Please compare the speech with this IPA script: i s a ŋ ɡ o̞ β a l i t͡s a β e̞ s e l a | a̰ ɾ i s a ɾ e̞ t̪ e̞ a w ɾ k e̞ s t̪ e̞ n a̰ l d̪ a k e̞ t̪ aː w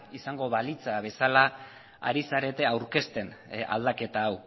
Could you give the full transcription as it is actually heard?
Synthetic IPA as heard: i s a ŋ ɡ o̞ β a l i t͡s a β e̞ s a l a | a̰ ɾ i s a ɾ e̞ t̪ e̞ a w ɾ k e̞ s t̪ e̞ n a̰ l d̪ a k e̞ t̪ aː w